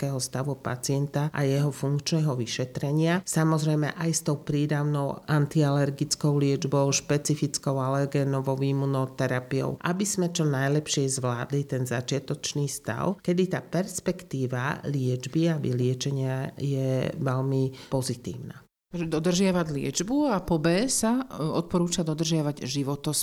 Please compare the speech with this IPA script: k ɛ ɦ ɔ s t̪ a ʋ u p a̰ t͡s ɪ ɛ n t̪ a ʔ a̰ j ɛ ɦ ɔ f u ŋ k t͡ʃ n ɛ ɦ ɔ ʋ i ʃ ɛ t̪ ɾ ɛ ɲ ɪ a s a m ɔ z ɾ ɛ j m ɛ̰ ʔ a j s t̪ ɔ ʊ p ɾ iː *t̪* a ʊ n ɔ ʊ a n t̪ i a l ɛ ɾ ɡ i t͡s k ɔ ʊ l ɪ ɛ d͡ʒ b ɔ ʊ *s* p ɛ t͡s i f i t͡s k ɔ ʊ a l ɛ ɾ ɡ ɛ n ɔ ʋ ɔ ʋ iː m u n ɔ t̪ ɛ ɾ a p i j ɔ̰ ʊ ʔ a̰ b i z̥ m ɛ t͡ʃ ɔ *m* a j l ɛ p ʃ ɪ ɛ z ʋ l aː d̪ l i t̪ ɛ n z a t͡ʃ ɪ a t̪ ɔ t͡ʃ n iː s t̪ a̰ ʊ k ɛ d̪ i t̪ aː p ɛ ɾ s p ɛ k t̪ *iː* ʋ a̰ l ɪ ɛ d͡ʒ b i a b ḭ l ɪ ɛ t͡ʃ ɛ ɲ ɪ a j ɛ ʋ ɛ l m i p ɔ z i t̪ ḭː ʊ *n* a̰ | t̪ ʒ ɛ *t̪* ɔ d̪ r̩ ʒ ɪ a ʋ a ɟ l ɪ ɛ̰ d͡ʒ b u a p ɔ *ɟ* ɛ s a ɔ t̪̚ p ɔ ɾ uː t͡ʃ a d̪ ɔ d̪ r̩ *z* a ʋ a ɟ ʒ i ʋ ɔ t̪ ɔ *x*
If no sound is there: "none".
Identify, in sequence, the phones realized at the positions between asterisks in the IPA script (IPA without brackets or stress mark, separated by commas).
d̪, ʃ, n, iː, n, d̪, b, ʒ, s